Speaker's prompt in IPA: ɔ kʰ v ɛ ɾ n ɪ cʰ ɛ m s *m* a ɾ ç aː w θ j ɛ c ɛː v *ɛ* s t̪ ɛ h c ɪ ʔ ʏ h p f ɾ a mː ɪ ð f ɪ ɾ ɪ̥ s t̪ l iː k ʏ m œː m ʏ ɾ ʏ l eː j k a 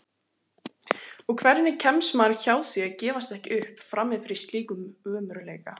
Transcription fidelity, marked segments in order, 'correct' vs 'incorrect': correct, incorrect: a

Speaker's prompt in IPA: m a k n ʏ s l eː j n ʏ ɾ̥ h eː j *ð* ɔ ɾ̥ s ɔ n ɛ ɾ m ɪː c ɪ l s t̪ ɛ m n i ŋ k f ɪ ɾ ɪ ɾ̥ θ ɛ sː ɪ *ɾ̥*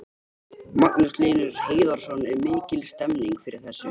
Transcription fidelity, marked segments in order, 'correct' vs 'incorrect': correct, incorrect: none

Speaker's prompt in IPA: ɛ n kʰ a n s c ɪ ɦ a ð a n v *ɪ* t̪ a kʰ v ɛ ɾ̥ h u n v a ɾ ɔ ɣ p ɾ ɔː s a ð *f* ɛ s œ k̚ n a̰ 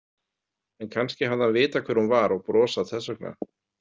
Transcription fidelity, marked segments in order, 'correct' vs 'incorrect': incorrect: ɪː, incorrect: θ

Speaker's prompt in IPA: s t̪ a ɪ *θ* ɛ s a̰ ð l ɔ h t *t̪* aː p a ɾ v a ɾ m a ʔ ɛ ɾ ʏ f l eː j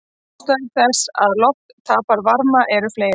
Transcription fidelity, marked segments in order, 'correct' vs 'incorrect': correct, incorrect: t̪ʰ

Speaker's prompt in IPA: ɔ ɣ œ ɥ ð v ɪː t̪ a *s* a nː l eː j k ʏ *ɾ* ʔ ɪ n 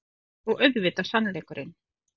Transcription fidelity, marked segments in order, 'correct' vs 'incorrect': correct, correct

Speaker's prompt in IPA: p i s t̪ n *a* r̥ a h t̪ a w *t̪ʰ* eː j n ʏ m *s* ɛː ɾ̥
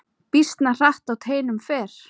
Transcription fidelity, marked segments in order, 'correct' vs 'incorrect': correct, correct, incorrect: f

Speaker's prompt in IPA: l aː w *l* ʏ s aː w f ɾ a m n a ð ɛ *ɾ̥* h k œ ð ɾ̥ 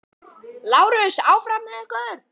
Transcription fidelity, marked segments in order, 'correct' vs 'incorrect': incorrect: ɾ, incorrect: none

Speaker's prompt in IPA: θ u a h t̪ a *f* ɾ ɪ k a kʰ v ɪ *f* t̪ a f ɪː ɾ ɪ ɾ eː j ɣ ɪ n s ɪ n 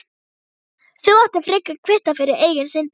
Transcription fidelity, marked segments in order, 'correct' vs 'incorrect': correct, incorrect: h

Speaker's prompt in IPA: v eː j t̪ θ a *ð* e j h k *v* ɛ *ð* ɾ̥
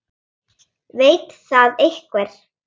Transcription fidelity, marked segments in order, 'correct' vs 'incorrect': correct, correct, incorrect: none

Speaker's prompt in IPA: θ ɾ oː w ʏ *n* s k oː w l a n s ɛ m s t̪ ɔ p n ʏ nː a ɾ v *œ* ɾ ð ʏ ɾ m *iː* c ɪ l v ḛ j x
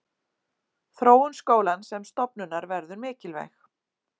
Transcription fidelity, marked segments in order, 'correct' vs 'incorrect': correct, incorrect: ɛ, incorrect: ɪː

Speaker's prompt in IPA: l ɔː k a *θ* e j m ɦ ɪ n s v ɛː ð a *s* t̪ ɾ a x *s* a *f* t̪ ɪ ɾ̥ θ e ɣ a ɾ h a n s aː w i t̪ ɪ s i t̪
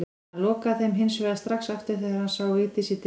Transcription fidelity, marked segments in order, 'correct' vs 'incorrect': correct, correct, correct, correct

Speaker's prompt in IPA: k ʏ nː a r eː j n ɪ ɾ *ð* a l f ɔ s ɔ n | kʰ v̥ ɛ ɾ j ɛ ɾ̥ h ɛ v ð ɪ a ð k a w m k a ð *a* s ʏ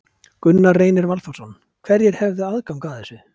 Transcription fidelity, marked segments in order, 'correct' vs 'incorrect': incorrect: v, incorrect: ɛ

